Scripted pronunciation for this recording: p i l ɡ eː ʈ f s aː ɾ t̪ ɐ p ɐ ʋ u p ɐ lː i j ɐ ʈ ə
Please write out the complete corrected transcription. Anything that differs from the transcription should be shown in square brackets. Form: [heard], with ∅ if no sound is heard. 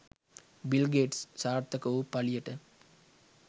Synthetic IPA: [b] i l ɡ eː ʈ [s] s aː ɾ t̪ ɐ [k] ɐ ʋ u p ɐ [l] i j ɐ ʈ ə